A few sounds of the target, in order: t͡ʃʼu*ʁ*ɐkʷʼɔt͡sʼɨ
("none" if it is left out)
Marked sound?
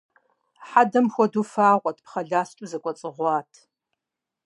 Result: z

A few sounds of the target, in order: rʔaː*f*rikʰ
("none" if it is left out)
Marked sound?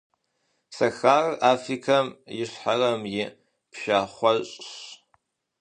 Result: f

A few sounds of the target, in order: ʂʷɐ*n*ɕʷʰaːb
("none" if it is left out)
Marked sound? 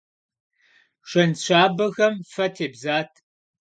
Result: n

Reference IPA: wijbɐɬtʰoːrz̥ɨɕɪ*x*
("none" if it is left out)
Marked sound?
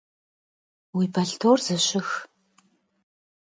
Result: x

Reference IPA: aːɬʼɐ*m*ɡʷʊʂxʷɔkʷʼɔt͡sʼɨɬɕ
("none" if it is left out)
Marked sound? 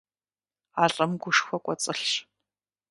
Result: m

